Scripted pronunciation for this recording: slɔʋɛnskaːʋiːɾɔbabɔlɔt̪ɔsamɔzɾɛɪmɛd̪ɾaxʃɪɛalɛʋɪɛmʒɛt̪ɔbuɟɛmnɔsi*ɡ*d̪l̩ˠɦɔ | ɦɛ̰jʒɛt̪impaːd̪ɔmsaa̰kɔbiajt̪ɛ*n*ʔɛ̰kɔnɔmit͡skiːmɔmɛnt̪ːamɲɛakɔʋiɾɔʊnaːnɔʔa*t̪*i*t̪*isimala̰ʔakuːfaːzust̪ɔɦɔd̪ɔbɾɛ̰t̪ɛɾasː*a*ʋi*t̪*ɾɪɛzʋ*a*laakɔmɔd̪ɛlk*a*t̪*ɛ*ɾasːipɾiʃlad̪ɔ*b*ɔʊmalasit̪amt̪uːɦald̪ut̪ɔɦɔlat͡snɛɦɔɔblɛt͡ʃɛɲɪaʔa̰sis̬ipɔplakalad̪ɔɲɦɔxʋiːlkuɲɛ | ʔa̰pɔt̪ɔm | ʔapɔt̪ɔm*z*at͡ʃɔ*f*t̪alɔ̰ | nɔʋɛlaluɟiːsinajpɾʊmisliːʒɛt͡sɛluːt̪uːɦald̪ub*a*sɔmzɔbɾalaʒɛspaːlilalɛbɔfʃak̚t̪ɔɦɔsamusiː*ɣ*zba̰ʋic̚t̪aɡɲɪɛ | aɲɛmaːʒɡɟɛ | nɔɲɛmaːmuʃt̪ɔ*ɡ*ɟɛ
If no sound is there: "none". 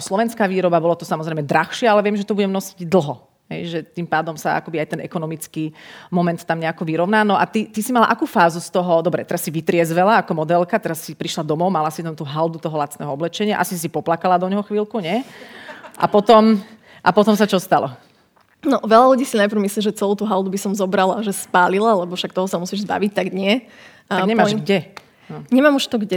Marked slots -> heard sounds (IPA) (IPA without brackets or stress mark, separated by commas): ɟ, n, t̪, t̪, i, t̪, ɛ, a, ɛ, m, s, s, i, ʒ, ɡ